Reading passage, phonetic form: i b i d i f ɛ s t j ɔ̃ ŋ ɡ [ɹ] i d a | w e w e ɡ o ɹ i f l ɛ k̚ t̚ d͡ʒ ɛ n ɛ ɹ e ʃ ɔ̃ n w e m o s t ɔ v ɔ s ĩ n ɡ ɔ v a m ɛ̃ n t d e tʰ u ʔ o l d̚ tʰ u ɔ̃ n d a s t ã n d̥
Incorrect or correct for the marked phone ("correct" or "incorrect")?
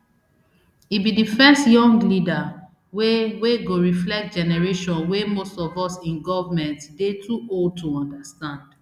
incorrect